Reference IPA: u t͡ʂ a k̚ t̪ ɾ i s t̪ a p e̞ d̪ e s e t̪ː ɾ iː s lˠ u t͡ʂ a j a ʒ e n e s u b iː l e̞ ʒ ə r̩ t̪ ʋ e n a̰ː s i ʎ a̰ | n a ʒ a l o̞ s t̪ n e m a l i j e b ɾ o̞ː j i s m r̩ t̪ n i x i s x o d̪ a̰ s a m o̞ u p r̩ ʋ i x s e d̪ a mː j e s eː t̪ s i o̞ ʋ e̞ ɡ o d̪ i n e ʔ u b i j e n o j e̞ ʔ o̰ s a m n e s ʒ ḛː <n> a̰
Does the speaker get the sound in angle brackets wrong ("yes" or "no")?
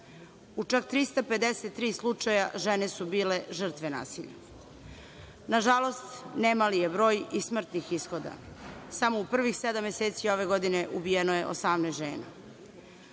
no